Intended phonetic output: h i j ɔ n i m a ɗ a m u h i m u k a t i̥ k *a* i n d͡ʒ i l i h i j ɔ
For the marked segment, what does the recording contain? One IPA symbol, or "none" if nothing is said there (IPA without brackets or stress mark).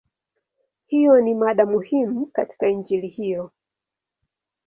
a